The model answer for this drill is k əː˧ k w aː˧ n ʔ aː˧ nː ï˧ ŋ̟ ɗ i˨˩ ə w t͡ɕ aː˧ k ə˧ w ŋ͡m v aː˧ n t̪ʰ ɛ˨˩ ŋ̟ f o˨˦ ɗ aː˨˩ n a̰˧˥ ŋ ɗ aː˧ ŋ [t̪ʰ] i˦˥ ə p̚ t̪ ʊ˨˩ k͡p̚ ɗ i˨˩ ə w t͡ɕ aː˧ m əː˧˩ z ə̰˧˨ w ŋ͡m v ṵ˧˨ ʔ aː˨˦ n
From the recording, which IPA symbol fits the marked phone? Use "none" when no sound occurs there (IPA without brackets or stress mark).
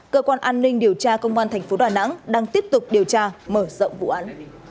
t̪